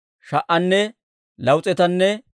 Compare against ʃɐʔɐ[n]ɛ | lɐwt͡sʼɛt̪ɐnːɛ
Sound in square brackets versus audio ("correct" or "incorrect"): incorrect